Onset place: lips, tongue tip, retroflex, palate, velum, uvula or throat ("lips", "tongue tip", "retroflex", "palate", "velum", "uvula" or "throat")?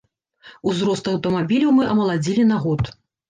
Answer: tongue tip